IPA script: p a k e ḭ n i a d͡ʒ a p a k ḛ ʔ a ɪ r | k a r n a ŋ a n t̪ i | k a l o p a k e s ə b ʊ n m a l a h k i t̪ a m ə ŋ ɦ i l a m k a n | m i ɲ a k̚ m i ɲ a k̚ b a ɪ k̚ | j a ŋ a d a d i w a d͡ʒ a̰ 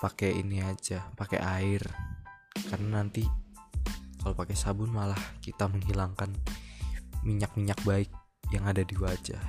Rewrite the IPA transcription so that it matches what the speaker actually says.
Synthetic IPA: p a k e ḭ n i a d͡ʒ a p a k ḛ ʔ a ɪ r | k a r n a n a n t̪ i | k a l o p a k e s a b ʊ n m a l a h k i t̪ a m ə ŋ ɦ i l a ŋ k a n | m i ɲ a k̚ m i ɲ a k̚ b a ɪ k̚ | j a ŋ a d a d i w a d͡ʒ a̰